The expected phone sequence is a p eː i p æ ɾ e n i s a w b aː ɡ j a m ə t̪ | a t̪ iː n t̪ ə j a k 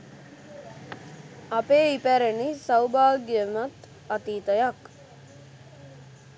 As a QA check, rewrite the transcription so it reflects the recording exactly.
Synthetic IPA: a p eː i p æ ɾ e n i s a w b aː ɡ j ə m a t̪ | a t̪ iː t̪ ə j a k